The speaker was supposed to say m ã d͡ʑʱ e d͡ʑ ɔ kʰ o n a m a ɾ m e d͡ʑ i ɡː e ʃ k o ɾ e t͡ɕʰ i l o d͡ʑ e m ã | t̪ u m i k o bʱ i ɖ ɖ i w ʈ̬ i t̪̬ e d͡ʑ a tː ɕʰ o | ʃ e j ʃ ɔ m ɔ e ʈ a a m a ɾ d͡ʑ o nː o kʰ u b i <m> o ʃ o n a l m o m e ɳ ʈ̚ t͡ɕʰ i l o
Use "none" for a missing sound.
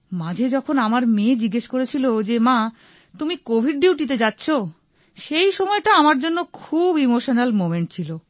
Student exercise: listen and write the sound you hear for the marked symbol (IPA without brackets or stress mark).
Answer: m